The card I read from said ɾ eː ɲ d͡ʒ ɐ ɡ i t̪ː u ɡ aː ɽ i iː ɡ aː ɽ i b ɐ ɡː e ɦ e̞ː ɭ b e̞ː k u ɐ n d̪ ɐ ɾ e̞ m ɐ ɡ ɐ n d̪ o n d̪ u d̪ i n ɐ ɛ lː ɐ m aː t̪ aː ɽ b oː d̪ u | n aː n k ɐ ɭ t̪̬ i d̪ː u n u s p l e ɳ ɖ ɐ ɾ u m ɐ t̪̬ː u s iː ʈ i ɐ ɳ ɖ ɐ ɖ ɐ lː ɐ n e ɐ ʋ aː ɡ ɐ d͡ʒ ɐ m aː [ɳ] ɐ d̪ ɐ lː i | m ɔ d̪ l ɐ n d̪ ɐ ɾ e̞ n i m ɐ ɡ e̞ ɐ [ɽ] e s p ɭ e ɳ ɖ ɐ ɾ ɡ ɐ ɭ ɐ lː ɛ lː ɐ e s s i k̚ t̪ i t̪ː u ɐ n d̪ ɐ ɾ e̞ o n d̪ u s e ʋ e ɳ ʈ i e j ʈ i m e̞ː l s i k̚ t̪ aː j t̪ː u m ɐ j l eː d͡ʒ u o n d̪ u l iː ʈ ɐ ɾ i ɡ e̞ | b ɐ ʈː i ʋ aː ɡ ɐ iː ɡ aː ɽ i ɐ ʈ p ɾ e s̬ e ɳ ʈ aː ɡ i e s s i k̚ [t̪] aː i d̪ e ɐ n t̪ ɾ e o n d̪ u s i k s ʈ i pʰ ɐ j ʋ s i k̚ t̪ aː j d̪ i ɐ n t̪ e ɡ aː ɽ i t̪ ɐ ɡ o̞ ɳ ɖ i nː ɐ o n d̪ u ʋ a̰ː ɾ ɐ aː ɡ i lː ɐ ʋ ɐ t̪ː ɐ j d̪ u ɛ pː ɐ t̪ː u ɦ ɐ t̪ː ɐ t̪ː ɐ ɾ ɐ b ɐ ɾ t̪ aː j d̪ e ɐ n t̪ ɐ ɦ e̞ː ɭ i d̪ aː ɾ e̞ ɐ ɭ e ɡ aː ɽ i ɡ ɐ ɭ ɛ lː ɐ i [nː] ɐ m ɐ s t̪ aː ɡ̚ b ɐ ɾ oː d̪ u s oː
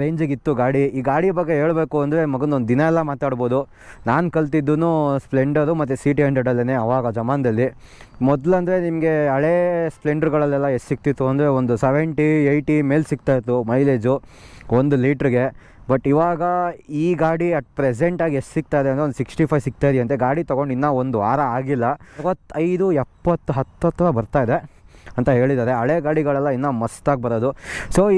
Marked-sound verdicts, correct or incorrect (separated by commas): incorrect, incorrect, correct, correct